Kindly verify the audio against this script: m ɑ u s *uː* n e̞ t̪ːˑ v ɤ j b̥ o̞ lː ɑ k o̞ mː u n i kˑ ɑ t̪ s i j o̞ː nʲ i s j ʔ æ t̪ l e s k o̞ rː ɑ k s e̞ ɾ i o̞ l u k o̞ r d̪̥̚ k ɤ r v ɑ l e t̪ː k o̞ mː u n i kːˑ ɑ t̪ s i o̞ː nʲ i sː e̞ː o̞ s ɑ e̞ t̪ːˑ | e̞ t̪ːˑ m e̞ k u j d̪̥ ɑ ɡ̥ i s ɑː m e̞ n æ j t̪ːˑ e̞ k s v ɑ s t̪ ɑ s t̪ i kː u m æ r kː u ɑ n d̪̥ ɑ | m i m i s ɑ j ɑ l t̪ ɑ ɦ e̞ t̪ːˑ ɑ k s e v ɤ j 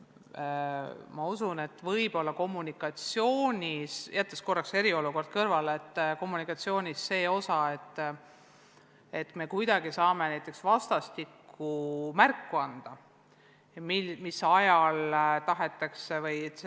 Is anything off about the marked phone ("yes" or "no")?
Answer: yes